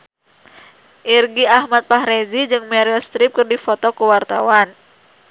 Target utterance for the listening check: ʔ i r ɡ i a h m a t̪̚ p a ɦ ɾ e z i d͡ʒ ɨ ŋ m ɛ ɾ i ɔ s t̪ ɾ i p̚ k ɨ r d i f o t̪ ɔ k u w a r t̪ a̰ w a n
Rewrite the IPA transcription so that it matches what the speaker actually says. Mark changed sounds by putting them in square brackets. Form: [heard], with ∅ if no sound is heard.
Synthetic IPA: ʔ i r ɡ i a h m a t̪̚ p a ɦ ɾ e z i d͡ʒ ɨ ŋ m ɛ ɾ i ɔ s t̪ ɾ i p̚ k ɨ r d i f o t̪ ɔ k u w a r t̪ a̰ w a n

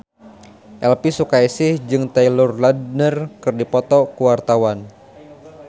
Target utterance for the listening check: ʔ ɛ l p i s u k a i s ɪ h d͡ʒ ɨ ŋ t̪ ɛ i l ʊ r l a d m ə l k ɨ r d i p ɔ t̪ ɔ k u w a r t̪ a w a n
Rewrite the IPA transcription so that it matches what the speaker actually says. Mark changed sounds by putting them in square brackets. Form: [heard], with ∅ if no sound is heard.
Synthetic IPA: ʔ ɛ l p i s u k a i s ɪ h d͡ʒ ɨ ŋ t̪ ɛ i l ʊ r l a d [n] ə [r] k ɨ r d i p ɔ t̪ ɔ k u w a r t̪ a w a n

